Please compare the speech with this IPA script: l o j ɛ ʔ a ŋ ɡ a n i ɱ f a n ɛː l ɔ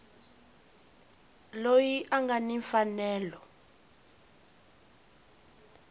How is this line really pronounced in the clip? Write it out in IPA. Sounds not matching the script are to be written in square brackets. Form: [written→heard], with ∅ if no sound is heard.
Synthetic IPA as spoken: l o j [ɛ→i] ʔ a ŋ ɡ a n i ɱ f a n ɛː l ɔ